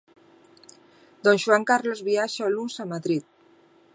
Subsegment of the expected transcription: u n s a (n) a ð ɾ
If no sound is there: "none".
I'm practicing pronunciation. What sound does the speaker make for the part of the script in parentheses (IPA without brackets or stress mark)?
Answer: m